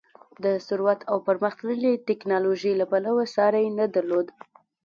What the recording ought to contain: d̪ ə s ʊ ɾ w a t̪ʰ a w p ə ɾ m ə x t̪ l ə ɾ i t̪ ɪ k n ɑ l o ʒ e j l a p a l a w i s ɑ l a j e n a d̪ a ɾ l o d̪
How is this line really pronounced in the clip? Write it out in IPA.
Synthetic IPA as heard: d̪ ə s ʊ ɾ w a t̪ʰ a w p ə ɾ m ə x t̪ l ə l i t̪ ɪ k n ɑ l o ʒ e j l a p a l a w a s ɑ ɾ a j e n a d̪ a ɾ l o d̪